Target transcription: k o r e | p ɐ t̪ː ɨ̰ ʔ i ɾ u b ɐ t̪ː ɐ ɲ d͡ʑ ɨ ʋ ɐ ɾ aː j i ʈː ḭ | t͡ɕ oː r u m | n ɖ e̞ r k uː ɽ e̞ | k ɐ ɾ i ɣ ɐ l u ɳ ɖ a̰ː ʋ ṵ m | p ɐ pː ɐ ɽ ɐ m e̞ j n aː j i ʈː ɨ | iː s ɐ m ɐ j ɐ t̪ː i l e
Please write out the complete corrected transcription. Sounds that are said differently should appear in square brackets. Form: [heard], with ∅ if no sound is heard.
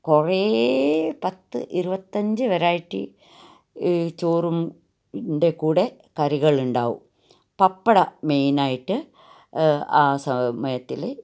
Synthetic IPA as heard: k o r e | p ɐ t̪ː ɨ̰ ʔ i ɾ u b ɐ t̪ː ɐ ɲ d͡ʑ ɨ ʋ ɐ ɾ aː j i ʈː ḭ | t͡ɕ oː r u m | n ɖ e̞ [∅] k uː ɽ e̞ | k ɐ ɾ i ɣ ɐ [ɭ] u ɳ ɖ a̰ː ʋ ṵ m | p ɐ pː ɐ ɽ ɐ m e̞ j n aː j i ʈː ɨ | [aː] s ɐ m ɐ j ɐ t̪ː i l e